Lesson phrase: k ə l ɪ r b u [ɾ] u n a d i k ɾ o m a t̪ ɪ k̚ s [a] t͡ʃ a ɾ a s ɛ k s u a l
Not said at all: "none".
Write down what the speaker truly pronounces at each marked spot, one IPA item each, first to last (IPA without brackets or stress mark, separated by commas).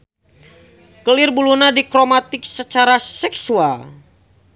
l, ə